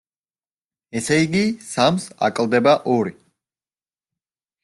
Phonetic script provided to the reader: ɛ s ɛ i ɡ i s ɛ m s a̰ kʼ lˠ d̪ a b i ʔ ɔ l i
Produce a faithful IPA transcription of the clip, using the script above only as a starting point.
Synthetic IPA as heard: ɛ s ɛ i ɡ i s a m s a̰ kʼ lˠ d̪ ɛ b a ʔ ɔ ɾ i